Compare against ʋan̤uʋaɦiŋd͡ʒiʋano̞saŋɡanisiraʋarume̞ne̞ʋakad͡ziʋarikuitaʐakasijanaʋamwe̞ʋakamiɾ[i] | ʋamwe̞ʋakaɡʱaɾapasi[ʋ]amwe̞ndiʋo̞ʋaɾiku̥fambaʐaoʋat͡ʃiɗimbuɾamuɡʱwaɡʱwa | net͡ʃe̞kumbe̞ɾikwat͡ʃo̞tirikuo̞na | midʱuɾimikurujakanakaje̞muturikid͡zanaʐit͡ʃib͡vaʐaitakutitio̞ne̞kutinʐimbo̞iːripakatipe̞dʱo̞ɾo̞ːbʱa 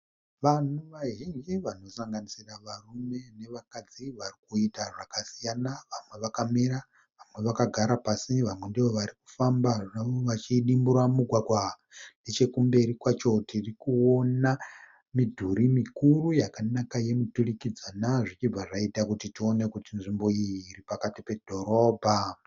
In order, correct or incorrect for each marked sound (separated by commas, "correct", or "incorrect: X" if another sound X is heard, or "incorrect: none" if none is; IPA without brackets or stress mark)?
incorrect: a, correct